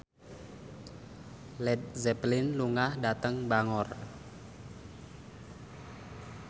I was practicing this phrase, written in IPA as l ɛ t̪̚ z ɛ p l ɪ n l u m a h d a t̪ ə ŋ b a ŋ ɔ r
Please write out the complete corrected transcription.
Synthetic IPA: l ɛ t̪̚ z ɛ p l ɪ n l u ŋ a h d a t̪ ə ŋ b a ŋ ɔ r